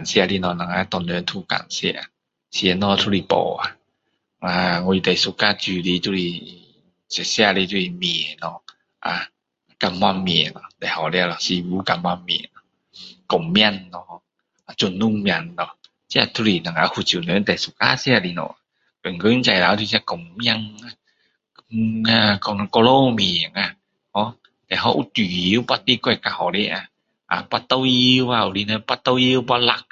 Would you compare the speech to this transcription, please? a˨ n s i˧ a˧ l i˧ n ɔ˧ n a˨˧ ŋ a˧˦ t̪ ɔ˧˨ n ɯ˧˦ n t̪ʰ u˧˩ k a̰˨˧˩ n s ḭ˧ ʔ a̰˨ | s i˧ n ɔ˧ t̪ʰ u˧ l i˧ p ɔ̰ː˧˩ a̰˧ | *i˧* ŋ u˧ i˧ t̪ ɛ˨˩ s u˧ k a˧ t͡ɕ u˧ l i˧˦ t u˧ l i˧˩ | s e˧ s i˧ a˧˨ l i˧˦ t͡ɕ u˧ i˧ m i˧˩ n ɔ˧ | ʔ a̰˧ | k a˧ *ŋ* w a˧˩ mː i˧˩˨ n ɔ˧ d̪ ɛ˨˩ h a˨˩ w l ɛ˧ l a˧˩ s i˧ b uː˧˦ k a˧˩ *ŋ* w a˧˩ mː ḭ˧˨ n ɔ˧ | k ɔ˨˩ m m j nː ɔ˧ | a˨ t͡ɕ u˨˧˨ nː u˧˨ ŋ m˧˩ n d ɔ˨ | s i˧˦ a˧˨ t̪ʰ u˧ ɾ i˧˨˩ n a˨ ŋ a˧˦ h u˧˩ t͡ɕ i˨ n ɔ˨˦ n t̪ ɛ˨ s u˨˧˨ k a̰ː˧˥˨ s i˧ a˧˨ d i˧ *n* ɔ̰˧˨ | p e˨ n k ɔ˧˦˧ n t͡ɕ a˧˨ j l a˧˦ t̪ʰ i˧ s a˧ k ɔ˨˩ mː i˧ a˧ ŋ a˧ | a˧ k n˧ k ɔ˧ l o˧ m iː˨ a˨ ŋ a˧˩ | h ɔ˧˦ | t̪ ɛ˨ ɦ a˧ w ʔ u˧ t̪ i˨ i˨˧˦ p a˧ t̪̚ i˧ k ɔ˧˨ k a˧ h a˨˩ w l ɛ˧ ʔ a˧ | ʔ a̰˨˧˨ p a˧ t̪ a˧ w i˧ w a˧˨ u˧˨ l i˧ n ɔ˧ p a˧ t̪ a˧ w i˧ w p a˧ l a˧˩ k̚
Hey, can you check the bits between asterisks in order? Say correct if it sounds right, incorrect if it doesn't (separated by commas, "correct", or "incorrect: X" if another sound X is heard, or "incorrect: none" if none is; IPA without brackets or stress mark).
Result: incorrect: a˧, incorrect: m, incorrect: m, correct